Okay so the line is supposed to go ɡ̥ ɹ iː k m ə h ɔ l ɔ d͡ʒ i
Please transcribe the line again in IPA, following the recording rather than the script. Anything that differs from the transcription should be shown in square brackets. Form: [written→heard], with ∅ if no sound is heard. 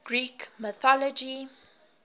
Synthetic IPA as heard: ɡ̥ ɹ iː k m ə [h→θ] ɔ l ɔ d͡ʒ i